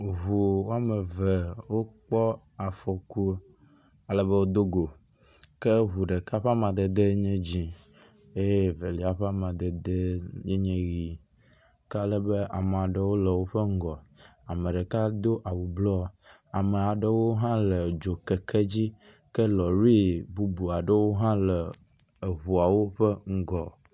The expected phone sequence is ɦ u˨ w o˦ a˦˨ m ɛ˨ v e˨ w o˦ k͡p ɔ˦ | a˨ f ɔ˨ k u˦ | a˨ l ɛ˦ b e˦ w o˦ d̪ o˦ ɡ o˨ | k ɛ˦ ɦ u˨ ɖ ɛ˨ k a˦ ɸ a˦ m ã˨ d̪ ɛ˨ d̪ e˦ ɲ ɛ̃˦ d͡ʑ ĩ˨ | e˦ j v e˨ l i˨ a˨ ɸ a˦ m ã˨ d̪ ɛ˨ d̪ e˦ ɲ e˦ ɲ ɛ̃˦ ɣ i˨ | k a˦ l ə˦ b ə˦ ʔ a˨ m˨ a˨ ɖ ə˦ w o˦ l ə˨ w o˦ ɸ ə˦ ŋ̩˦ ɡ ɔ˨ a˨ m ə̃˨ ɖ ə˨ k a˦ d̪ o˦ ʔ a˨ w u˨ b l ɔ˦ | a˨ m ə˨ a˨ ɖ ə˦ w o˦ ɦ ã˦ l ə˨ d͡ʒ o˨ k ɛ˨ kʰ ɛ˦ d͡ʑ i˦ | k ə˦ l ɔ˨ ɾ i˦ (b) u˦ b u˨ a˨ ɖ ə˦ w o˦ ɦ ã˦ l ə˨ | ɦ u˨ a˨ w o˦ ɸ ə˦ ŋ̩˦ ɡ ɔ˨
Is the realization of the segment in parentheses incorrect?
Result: no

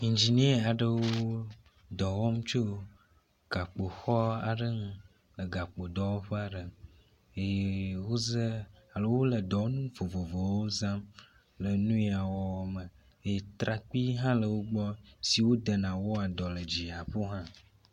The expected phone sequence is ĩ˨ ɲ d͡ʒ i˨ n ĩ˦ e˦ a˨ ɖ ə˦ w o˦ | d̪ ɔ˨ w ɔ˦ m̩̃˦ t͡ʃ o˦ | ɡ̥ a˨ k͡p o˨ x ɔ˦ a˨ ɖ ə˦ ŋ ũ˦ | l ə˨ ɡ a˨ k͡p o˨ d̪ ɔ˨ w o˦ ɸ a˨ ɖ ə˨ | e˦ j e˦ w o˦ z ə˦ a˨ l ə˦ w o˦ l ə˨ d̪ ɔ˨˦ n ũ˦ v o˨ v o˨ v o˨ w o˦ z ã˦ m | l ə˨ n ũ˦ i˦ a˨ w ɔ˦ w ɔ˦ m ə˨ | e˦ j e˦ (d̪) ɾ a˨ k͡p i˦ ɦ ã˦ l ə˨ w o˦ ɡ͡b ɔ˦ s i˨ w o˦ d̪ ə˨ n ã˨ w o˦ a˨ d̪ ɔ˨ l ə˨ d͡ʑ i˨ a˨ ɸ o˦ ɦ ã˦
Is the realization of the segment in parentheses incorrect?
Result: yes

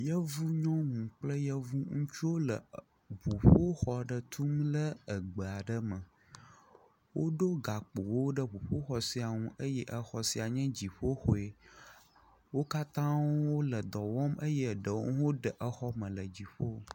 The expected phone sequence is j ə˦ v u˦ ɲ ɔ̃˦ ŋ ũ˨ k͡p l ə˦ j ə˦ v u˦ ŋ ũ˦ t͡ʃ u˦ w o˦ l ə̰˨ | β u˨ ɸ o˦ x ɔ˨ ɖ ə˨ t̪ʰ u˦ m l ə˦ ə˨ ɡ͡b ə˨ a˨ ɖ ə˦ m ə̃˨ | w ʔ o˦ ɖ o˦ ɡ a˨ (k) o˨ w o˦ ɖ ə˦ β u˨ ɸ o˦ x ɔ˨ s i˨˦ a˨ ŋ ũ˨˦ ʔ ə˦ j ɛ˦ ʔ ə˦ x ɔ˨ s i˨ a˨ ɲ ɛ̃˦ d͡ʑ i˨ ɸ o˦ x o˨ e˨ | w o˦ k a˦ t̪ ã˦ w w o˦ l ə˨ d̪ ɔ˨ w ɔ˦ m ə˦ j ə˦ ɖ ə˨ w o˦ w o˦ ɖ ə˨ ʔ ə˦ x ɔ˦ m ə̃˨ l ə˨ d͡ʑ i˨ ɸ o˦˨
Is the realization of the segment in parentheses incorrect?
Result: yes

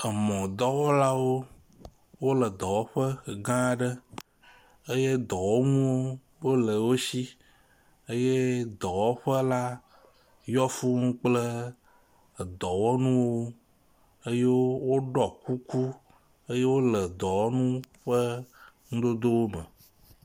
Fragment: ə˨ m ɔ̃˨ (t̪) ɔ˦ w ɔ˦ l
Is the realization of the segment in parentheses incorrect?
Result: yes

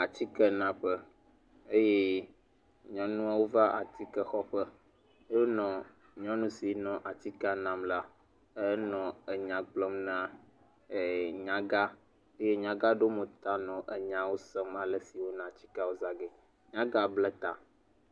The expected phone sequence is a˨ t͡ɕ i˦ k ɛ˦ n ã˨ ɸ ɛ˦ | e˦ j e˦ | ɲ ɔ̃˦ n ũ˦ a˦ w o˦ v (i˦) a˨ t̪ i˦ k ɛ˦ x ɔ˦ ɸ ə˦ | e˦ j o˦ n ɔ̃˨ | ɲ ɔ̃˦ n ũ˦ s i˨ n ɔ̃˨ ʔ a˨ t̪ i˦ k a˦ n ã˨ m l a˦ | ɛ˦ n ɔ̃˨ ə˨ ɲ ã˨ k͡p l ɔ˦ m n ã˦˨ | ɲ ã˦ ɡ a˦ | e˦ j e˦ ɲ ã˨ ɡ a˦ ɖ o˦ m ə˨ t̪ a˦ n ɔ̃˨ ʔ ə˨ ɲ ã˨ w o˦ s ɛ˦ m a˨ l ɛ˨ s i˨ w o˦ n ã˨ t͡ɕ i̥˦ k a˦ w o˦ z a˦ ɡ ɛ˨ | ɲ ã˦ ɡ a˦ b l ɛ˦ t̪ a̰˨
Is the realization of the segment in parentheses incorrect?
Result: yes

